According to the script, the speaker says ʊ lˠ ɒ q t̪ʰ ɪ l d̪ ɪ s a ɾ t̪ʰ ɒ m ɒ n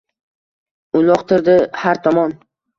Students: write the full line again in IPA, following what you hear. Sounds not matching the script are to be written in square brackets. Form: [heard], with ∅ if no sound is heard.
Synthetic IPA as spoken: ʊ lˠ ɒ q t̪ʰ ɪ [ɾ] d̪ ɪ [h] a ɾ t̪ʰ ɒ m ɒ n